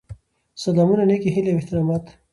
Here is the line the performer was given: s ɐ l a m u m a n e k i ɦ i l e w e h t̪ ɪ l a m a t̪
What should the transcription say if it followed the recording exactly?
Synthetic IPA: s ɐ l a m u n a n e k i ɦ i l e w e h t̪ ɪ ɾ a m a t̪